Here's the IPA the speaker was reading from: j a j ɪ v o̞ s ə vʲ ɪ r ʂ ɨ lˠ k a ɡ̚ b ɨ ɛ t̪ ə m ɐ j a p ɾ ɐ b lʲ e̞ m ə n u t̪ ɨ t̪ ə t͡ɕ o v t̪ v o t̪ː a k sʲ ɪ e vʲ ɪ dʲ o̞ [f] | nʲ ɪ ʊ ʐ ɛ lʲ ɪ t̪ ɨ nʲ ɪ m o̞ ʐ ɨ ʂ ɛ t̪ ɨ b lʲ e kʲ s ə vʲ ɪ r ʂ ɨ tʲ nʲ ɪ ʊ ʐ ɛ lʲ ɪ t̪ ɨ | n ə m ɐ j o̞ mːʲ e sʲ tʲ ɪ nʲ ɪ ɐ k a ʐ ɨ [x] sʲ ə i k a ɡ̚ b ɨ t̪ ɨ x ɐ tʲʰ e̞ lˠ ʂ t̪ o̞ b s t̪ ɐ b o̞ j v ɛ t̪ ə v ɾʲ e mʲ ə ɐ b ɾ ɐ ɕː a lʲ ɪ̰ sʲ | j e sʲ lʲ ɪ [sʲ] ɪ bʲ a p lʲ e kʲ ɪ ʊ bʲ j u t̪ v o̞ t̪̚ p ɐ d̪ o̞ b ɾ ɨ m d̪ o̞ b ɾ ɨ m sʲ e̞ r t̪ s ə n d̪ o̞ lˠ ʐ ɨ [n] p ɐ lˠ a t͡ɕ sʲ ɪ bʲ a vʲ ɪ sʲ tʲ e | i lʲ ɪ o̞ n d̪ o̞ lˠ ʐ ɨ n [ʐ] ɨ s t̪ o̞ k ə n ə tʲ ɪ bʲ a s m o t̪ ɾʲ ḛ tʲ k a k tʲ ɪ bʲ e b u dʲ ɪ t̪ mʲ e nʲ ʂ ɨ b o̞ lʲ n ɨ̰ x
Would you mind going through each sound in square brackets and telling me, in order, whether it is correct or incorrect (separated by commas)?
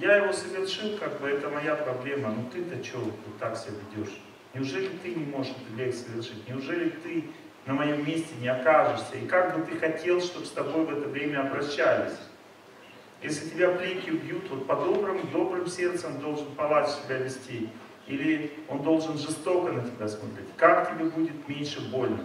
incorrect, incorrect, incorrect, correct, correct